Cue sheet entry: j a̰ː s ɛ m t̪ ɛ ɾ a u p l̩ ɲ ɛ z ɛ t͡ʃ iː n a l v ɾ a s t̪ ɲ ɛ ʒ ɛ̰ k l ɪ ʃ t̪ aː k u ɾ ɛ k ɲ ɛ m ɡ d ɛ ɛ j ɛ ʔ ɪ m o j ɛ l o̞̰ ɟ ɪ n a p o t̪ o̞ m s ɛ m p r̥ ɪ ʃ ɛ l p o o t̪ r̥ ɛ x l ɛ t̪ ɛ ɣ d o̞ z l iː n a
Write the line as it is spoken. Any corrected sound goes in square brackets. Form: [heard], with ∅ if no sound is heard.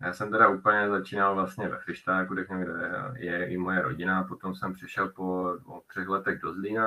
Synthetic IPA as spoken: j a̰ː s ɛ m t̪ ɛ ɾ a u p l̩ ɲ ɛ z [a] t͡ʃ iː n a l v [l] a s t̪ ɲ ɛ [v] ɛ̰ [x] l ɪ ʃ t̪ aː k u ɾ ɛ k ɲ ɛ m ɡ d ɛ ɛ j ɛ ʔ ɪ m o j ɛ [ɾ] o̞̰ ɟ ɪ n a p o t̪ o̞ m s ɛ m p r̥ ɪ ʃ ɛ l p o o t̪ r̥ ɛ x l ɛ t̪ ɛ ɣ d o̞ z l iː n a